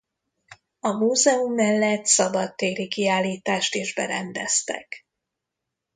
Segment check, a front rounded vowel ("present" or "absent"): absent